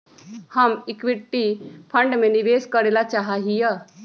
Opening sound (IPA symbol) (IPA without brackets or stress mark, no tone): h